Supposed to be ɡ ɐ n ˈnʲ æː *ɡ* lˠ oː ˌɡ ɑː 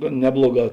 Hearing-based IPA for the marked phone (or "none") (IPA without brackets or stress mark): b